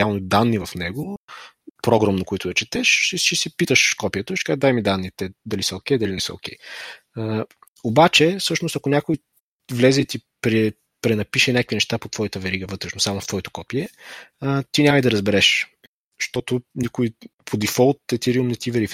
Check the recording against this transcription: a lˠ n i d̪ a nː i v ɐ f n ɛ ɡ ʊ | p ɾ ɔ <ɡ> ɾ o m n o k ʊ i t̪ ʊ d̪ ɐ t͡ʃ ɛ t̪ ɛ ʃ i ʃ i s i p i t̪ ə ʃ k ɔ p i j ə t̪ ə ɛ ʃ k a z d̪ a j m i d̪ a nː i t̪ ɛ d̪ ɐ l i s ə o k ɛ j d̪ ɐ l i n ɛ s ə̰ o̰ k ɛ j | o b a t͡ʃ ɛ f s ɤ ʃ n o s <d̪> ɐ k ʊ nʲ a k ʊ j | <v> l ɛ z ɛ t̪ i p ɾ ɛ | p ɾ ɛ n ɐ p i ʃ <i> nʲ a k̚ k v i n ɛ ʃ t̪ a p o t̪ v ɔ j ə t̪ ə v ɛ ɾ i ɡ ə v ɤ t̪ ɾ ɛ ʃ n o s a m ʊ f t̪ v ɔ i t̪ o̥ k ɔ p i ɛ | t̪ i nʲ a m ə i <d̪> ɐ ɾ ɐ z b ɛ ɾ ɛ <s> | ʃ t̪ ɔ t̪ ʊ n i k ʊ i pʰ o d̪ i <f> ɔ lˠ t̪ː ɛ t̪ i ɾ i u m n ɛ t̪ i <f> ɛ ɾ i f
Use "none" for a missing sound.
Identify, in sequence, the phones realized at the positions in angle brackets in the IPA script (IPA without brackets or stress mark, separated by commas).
ɡ, t̪, v, ɛ, d̪, ʃ, f, v